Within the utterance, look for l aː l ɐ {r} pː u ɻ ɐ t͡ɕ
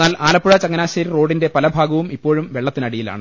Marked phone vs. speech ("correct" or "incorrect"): incorrect